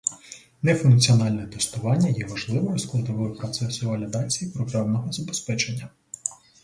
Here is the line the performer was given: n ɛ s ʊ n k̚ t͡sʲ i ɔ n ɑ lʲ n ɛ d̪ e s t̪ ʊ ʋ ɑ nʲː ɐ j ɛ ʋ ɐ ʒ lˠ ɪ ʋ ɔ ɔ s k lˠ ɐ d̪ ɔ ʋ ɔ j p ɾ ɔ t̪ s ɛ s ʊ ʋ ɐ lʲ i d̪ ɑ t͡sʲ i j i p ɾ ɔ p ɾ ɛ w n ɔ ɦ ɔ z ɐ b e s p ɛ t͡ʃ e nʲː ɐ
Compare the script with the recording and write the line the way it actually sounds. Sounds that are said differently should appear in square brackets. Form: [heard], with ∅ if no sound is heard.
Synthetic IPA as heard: n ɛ [f] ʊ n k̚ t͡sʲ i ɔ n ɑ lʲ n ɛ [t̪] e s t̪ ʊ ʋ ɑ nʲː ɐ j ɛ ʋ ɐ ʒ lˠ ɪ ʋ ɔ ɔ s k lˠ ɐ d̪ ɔ ʋ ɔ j p ɾ ɔ t̪ s ɛ s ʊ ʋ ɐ lʲ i d̪ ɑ t͡sʲ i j i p ɾ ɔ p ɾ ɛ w n ɔ ɦ ɔ z ɐ b e s p ɛ t͡ʃ e nʲː ɐ

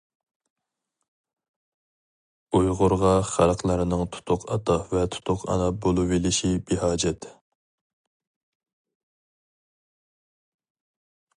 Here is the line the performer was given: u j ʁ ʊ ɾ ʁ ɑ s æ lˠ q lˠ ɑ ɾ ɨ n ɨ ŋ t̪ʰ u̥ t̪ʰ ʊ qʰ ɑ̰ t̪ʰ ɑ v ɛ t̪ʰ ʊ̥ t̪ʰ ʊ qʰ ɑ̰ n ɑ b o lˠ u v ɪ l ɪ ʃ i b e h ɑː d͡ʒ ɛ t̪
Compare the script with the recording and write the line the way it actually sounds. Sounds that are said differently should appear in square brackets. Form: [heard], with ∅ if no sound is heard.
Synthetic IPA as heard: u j ʁ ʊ ɾ ʁ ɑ [χ] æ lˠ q lˠ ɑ ɾ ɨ n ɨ ŋ t̪ʰ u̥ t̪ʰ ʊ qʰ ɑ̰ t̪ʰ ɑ v ɛ t̪ʰ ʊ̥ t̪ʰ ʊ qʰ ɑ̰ n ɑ b o lˠ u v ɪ l ɪ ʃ i b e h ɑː d͡ʒ ɛ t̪

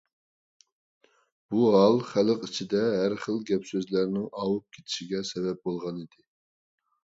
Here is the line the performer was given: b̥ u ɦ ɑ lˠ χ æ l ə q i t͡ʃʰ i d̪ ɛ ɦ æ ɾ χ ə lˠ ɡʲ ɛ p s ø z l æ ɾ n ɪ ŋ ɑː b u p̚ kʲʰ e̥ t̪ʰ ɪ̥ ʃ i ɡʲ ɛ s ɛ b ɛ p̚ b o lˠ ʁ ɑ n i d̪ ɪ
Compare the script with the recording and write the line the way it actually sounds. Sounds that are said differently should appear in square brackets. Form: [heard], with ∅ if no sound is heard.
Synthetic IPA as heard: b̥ u ɦ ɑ lˠ χ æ l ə q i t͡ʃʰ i d̪ ɛ ɦ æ ɾ χ ə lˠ ɡʲ ɛ p s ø z l æ ɾ n ɪ ŋ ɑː [w] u p̚ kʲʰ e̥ t̪ʰ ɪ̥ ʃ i ɡʲ ɛ s ɛ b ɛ p̚ b o lˠ ʁ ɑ n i d̪ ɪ

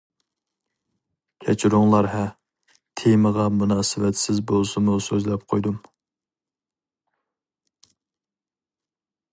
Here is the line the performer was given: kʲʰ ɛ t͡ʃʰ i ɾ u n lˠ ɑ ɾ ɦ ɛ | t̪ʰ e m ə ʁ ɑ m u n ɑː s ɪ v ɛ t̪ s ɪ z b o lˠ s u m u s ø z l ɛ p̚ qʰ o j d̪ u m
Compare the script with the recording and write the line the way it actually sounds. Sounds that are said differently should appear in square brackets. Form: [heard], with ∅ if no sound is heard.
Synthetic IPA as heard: kʲʰ ɛ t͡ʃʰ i ɾ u [ŋ] lˠ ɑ ɾ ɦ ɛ | t̪ʰ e m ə ʁ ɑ m u n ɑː s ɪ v ɛ t̪ s ɪ z b o lˠ s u m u s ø z l ɛ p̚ qʰ o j d̪ u m

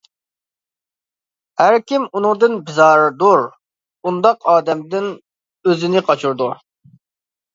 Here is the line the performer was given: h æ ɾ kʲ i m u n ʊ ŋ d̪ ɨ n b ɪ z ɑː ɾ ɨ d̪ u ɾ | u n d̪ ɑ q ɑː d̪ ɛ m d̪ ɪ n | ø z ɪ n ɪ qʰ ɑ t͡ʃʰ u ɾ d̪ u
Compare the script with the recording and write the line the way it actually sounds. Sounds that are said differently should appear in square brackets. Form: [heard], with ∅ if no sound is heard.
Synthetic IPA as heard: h æ ɾ kʲ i m u n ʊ ŋ d̪ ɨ n b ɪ z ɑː ɾ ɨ d̪ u ɾ | u n d̪ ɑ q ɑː d̪ ɛ m d̪ ɪ n | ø z ɪ n ɪ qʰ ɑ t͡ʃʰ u ɾ d̪ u

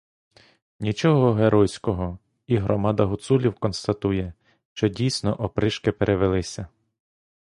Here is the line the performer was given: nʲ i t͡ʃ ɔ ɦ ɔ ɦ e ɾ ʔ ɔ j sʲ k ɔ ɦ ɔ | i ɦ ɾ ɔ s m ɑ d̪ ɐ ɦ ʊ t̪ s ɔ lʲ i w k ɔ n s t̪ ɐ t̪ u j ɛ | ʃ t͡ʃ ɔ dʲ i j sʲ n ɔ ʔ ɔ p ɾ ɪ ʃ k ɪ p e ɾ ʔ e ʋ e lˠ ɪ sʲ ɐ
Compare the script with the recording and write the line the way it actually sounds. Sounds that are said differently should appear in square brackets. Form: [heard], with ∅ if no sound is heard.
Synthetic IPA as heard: nʲ i t͡ʃ ɔ ɦ ɔ ɦ e ɾ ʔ ɔ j sʲ k ɔ ɦ ɔ | i ɦ ɾ ɔ [∅] m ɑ d̪ ɐ ɦ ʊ t̪ s [u] lʲ i w k ɔ n s t̪ ɐ t̪ u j ɛ | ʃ t͡ʃ ɔ dʲ i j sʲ n ɔ ʔ ɔ p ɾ ɪ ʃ k ɪ p e ɾ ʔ e ʋ e lˠ ɪ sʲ ɐ

